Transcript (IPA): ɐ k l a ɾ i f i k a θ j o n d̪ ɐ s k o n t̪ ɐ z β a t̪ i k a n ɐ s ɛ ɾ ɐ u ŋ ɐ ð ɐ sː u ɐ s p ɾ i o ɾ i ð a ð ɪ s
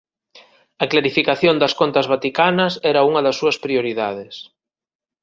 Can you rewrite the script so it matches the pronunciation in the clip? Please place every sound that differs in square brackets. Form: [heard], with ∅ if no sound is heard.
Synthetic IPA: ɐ k l a ɾ i f i k a θ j o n d̪ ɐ s k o n t̪ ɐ z β a t̪ i k a n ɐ s ɛ ɾ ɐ u ŋ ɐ ð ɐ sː u ɐ s p ɾ i o ɾ i ð a ð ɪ s